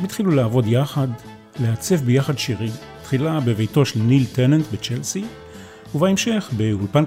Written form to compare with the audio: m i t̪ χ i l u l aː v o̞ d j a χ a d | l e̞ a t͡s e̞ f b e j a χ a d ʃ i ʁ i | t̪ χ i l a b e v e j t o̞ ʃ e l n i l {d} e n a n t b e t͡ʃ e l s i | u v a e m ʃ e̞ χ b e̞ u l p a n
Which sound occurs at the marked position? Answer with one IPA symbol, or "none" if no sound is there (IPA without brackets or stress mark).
t